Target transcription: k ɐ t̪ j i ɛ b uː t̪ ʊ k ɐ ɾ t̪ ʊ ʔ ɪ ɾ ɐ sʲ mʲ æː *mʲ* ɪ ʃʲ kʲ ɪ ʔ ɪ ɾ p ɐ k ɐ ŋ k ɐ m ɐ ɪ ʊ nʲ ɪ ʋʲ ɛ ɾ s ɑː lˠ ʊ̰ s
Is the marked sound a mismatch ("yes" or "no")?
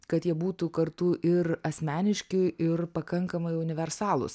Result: yes